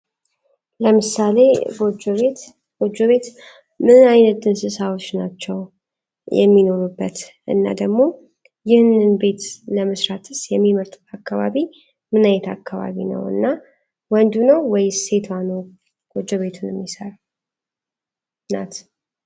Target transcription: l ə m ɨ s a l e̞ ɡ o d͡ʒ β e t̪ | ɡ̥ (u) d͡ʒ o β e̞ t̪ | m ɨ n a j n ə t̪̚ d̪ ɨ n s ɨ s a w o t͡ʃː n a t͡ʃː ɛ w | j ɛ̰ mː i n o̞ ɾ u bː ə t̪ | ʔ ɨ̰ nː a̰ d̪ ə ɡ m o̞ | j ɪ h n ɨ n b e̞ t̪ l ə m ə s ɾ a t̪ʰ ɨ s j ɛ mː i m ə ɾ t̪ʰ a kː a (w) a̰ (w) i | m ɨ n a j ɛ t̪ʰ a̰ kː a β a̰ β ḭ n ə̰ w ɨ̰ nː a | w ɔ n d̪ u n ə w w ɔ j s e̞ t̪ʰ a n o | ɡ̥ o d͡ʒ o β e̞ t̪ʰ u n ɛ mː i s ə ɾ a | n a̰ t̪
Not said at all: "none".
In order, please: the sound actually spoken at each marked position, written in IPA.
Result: o, β, β

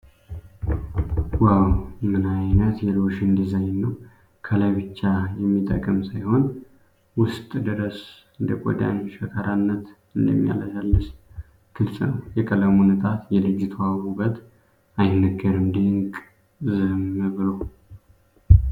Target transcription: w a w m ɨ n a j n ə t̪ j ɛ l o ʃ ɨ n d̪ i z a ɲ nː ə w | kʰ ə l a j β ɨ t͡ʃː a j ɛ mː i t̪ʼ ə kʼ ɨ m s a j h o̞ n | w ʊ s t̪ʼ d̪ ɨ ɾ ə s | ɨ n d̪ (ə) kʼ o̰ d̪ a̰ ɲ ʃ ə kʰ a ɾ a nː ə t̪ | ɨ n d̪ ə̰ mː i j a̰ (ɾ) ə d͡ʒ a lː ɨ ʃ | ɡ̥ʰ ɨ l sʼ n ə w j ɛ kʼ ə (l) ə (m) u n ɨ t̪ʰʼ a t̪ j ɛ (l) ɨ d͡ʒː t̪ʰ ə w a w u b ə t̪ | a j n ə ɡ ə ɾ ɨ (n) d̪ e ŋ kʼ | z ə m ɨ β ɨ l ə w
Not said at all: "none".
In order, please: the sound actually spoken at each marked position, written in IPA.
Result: ə, l, l, m, l, m

